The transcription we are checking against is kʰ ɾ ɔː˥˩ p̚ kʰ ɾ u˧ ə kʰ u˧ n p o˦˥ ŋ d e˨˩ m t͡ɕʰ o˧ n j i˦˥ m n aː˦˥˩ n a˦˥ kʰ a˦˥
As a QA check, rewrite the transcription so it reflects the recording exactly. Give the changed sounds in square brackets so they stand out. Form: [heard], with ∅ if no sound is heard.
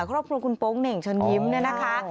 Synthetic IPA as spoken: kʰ ɾ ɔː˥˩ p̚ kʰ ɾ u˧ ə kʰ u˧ n p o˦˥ ŋ [n] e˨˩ [ŋ] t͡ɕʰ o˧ n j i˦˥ m n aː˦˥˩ n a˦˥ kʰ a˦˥